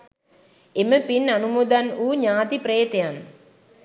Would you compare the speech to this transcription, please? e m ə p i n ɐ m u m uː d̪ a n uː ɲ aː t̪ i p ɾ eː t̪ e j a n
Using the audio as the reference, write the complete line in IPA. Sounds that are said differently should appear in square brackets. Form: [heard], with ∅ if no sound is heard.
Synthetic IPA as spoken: e m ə p i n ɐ [n] u m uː d̪ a n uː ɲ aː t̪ i p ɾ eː t̪ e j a n